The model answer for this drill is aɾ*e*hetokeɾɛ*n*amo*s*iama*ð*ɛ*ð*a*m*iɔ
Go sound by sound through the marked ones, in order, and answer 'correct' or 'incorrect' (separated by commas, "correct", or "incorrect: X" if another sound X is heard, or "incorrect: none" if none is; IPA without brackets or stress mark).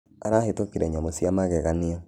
incorrect: a, incorrect: ɲ, correct, incorrect: ɣ, incorrect: ɣ, incorrect: n